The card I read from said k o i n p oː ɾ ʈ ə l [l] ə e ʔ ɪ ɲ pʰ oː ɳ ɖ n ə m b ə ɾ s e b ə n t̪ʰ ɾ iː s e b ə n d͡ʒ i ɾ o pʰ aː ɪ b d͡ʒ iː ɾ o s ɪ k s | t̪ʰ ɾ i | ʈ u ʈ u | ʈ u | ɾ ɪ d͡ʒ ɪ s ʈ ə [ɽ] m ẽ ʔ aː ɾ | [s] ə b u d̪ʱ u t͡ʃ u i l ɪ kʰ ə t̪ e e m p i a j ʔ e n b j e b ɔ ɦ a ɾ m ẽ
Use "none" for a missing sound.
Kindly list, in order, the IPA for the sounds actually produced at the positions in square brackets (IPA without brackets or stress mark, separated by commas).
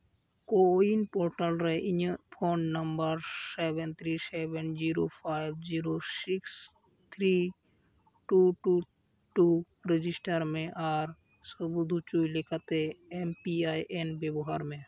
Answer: ɾ, ɾ, s